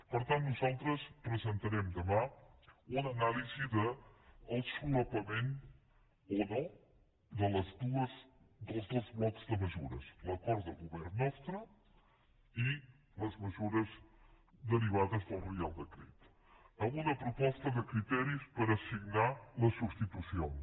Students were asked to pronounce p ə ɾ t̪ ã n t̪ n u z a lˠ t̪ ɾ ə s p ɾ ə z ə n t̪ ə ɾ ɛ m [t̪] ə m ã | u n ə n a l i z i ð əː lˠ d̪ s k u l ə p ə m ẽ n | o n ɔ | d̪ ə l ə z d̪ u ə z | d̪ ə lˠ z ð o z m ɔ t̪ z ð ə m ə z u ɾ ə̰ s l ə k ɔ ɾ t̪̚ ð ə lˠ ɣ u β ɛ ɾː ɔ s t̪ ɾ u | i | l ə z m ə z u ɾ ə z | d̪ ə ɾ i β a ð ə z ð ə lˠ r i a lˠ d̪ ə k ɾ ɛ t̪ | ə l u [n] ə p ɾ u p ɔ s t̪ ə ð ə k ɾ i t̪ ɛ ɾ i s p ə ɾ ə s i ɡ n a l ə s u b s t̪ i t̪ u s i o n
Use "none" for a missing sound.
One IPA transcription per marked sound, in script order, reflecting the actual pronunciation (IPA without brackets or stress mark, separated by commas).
d̪, n